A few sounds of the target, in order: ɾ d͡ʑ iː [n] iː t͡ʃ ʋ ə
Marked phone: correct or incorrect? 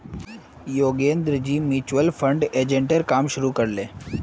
incorrect